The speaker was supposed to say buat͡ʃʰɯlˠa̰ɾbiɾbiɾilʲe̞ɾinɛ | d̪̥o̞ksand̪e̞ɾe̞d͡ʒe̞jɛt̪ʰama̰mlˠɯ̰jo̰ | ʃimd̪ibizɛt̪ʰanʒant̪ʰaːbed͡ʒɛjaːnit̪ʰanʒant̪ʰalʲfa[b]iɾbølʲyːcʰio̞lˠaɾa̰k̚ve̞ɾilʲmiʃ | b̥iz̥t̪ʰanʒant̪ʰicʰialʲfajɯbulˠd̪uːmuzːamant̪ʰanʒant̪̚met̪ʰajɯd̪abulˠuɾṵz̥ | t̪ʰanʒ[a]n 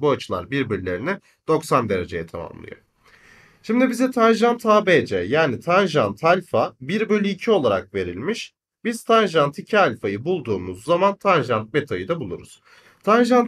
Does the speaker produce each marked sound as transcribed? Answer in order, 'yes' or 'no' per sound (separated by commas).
yes, yes